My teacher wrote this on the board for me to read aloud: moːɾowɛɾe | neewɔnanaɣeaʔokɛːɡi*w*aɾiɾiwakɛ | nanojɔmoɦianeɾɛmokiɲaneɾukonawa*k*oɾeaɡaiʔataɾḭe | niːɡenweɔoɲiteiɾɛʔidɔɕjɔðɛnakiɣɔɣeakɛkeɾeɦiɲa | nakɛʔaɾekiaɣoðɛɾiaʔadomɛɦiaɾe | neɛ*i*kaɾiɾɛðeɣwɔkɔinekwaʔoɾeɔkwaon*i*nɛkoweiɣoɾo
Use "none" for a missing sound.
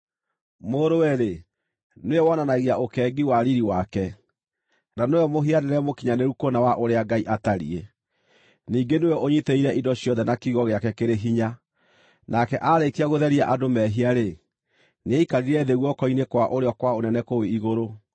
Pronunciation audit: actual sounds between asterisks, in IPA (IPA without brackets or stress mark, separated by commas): w, ʔ, i, ɛ